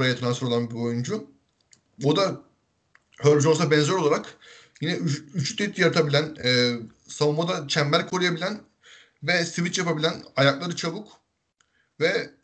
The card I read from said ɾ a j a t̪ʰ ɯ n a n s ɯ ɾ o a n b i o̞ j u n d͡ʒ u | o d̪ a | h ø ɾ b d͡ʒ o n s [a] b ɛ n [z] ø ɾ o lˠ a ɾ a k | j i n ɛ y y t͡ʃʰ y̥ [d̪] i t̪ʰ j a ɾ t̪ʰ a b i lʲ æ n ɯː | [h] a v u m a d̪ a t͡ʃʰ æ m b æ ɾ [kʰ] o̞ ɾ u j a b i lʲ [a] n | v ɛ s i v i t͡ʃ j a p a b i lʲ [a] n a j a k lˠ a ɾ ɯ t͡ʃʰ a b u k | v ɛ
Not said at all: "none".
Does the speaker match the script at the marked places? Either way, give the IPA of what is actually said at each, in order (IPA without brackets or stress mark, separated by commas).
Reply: a, z, t̪, s, kʰ, æ, æ